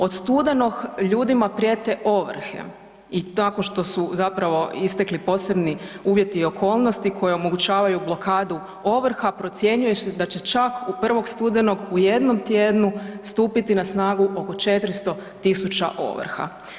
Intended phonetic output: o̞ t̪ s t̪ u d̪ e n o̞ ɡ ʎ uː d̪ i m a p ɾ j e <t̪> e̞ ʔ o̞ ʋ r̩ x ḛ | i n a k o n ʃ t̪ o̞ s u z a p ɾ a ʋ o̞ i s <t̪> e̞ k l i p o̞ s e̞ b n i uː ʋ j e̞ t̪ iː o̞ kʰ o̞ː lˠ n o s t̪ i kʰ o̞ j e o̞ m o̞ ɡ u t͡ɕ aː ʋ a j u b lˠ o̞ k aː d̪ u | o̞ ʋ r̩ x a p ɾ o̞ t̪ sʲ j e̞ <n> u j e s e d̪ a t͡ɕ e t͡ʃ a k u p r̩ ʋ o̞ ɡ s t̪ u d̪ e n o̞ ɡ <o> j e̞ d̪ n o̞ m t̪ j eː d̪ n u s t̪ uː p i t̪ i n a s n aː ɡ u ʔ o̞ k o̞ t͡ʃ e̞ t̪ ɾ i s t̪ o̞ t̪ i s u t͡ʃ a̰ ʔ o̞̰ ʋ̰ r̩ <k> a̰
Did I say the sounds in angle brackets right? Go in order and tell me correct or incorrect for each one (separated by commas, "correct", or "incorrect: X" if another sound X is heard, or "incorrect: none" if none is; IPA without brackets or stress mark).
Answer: correct, correct, incorrect: ɲ, incorrect: u, incorrect: x